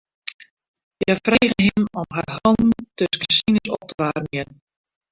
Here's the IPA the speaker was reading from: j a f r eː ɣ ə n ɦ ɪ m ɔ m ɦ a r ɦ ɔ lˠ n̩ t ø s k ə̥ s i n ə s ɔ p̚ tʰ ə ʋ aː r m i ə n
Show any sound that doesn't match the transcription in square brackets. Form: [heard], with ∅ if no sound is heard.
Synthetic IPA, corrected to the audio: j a f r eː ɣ ə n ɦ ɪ m ɔ m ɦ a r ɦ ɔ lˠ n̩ t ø s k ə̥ s i n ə s ɔ p̚ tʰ ə ʋ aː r m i ə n